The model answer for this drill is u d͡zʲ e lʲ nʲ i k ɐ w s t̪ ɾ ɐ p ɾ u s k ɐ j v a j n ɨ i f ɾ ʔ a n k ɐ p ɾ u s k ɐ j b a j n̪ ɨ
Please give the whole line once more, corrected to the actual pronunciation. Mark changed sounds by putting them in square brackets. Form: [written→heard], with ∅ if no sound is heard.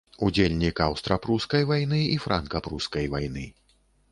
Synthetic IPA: u d͡zʲ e lʲ nʲ i k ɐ w s t̪ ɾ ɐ p ɾ u s k ɐ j v a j n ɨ i f ɾ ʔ a n k ɐ p ɾ u s k ɐ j [b→v] a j n̪ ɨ